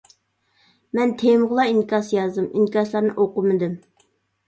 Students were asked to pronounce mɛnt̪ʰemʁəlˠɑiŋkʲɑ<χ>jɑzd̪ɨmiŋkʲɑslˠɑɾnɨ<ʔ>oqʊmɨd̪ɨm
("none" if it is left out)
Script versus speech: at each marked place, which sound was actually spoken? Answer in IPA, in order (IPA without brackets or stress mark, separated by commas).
s, ʔ